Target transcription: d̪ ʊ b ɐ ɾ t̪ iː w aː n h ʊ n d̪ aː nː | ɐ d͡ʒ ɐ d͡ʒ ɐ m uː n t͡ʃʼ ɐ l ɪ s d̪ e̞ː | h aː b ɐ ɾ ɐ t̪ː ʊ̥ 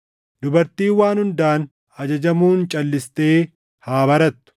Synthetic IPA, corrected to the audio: d̪ ʊ b ɐ ɾ t̪ iː w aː n h ʊ n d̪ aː n | ɐ d͡ʒ ɐ d͡ʒ ɐ m uː n t͡ʃʼ ɐ lː ɪ s t̪ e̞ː | h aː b ɐ ɾ ɐ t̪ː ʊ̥

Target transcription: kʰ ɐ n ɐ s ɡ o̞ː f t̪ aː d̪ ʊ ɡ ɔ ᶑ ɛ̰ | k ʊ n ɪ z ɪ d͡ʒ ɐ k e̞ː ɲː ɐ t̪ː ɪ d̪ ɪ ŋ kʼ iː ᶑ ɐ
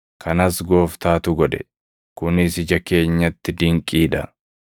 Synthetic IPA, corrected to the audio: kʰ ɐ n ɐ s ɡ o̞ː f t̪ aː t̪ ʊ ɡ ɔ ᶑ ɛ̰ | k ʊ n ɪ s ɪ d͡ʒ ɐ k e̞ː ɲː ɐ t̪ː ɪ d̪ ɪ ŋ kʼ iː ᶑ ɐ

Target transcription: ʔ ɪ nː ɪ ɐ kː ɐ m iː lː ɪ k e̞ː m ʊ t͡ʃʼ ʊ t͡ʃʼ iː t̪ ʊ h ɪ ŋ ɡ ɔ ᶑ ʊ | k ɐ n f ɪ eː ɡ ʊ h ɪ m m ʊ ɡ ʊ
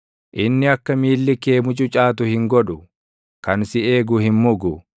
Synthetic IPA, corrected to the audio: ʔ ɪ nː ɪ ɐ kː ɐ m iː lː ɪ k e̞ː m ʊ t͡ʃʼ ʊ t͡ʃʼ aː t̪ ʊ h ɪ ŋ ɡ ɔ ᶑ ʊ | k ɐ n s ɪ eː ɡ ʊ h ɪ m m ʊ ɡ ʊ

